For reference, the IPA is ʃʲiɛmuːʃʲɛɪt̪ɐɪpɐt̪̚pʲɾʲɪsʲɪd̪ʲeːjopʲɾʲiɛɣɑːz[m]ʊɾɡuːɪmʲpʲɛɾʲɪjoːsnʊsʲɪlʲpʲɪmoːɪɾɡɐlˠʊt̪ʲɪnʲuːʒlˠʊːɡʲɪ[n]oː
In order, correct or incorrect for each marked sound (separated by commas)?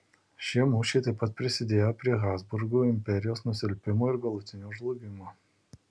incorrect, incorrect